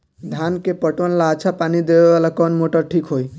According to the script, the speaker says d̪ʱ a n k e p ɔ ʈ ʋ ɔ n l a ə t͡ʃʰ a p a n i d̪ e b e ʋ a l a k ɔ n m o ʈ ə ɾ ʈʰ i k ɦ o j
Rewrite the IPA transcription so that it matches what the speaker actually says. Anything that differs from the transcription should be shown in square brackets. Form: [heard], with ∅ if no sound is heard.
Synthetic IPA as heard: d̪ʱ a n k e p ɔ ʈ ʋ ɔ n l a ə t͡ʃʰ a p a n i d̪ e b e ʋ a l a k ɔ n m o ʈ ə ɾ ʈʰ i k ɦ o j